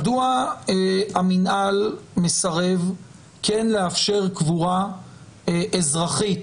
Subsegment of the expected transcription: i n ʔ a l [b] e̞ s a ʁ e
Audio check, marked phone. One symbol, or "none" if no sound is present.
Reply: m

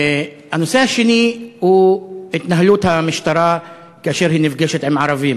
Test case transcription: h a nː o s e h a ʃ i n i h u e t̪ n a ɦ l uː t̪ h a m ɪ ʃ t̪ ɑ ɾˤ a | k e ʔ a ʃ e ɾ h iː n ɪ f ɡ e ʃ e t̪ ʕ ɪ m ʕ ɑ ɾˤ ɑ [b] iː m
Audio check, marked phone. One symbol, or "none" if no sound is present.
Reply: v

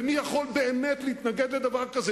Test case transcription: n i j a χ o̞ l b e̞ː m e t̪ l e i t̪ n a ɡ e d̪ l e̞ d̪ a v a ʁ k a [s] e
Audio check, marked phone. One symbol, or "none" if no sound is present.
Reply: z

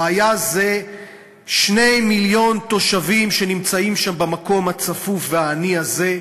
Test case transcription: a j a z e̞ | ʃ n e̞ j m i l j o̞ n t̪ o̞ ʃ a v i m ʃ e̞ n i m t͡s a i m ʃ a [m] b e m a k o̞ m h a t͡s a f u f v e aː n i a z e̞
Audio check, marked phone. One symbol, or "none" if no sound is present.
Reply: m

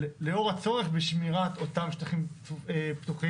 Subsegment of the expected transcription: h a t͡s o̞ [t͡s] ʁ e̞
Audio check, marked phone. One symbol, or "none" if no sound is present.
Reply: none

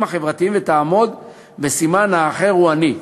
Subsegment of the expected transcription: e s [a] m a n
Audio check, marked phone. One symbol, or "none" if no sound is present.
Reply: i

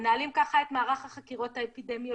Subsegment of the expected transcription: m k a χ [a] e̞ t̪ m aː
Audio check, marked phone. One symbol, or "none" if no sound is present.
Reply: a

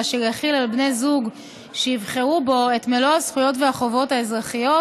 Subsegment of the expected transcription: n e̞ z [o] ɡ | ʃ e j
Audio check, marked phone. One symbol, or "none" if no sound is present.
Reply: u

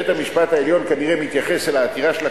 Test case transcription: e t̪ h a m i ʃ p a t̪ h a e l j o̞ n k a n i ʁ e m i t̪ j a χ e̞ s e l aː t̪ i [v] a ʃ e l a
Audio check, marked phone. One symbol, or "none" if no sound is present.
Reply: ʁ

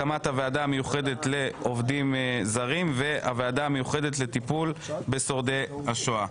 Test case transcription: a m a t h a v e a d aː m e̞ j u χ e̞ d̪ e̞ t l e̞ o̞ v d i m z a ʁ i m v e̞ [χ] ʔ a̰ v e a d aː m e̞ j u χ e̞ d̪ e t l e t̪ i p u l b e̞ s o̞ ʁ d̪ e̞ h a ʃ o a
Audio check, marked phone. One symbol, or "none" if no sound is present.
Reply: none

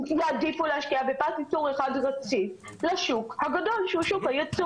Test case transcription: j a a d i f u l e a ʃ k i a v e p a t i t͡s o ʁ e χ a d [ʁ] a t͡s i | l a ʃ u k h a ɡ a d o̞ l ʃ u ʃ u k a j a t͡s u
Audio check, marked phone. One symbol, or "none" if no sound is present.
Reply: ʁ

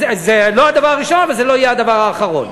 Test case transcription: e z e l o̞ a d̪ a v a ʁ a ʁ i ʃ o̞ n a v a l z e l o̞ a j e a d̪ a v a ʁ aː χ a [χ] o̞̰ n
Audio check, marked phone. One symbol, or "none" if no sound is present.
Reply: ʁ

